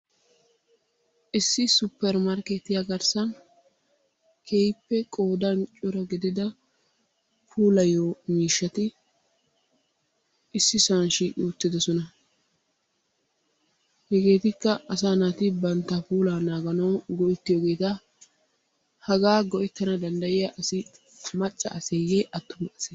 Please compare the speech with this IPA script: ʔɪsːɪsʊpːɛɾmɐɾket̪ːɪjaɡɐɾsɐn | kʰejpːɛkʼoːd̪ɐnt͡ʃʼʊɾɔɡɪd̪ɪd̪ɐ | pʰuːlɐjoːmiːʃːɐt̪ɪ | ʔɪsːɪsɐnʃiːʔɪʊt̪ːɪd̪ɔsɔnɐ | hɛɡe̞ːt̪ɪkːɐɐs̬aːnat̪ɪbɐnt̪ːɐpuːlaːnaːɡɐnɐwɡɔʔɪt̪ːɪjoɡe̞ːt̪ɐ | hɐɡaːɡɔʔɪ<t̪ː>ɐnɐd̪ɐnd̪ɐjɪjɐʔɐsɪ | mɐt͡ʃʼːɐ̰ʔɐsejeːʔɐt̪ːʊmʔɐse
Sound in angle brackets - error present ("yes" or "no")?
no